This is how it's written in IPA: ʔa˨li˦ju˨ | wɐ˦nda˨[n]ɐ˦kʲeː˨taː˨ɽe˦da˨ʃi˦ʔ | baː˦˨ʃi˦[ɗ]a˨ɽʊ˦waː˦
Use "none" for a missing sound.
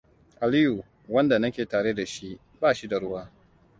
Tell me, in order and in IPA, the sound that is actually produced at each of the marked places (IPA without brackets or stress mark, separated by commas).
n, d